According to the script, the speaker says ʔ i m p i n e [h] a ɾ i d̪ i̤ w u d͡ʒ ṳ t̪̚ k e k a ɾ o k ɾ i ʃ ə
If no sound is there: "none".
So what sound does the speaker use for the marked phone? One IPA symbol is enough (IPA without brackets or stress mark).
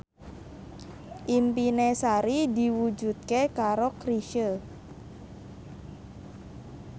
s